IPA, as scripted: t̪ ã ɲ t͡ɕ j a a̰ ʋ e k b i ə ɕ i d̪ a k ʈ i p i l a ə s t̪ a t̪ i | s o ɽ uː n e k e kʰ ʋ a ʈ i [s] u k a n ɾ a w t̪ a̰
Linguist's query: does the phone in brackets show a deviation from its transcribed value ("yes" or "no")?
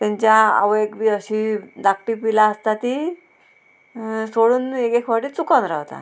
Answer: yes